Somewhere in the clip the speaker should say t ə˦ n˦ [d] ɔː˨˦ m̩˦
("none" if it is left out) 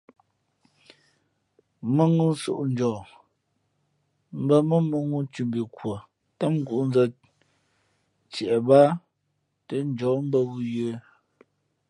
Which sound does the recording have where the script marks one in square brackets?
d͡ʒ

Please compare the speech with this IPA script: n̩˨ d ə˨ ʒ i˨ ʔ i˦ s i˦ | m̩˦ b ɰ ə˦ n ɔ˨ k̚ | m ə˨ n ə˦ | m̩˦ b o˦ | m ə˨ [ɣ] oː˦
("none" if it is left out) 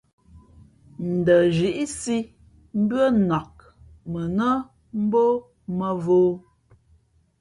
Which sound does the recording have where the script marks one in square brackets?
v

